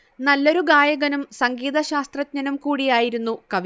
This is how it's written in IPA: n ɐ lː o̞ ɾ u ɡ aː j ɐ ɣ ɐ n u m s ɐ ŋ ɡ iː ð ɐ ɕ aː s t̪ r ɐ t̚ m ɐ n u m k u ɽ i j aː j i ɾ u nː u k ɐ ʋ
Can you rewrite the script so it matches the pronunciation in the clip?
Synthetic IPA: n ɐ lː o̞ ɾ u ɡ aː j ɐ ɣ ɐ n u m s ɐ ŋ ɡ iː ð ɐ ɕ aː s t̪ r ɐ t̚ ɲ ɐ n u m k uː ɽ i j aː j i ɾ u nː u k ɐ ʋ